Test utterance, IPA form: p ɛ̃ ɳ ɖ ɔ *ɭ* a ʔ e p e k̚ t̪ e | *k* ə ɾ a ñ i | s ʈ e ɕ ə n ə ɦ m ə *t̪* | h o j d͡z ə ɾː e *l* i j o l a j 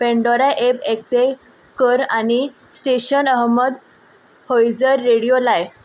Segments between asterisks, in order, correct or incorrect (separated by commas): incorrect, correct, incorrect, incorrect